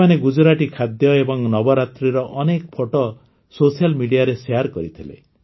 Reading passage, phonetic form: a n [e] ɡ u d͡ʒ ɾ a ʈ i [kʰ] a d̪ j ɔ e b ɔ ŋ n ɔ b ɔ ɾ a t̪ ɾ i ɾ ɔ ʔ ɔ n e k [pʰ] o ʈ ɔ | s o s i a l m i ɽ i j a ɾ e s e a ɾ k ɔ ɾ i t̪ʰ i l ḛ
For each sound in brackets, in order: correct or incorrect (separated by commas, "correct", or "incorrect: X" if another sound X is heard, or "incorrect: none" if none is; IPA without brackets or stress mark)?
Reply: correct, correct, correct